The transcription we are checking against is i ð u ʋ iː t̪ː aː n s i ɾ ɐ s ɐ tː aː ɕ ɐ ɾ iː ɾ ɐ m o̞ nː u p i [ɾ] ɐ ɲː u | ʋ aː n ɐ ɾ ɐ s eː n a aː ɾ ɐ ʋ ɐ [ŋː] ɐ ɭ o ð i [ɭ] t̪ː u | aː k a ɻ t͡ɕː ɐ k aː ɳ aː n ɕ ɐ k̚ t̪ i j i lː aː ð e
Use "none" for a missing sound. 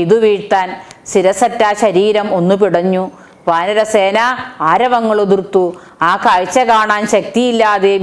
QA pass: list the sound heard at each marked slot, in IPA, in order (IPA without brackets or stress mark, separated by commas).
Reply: ɽ, ŋː, r